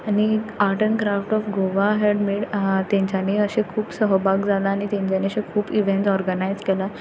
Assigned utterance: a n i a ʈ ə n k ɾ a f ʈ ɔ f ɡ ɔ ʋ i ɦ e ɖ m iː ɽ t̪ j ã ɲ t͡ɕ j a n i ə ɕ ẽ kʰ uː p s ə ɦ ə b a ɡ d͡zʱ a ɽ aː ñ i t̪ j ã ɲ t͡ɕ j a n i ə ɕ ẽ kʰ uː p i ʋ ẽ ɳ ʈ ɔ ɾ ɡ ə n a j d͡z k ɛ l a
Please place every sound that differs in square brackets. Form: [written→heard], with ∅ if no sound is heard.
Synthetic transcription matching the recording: a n i a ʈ ə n k ɾ a f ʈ ɔ f ɡ [ɔ→o] ʋ [i→a] ɦ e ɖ m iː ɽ t̪ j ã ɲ t͡ɕ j a n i ə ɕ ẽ kʰ uː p s ə ɦ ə b a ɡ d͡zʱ a [ɽ→l] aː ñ i t̪ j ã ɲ t͡ɕ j a n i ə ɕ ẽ kʰ uː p i ʋ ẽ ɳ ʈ ɔ ɾ ɡ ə n a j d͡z k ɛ l a